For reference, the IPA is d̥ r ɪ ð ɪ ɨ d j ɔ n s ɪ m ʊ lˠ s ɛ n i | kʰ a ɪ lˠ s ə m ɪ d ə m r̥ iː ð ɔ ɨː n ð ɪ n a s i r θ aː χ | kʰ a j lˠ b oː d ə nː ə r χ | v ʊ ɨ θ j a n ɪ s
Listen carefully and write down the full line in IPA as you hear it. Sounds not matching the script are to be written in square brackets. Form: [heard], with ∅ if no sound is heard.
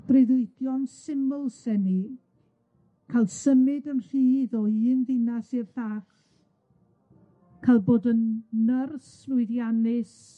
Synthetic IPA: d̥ r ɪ ð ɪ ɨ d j ɔ n s ɪ m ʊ lˠ s ɛ n i | kʰ a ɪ lˠ s ə m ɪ d ə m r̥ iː ð ɔ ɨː n ð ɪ n a s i r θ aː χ | kʰ a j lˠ b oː d ə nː ə r [s] | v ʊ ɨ [ð] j a n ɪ s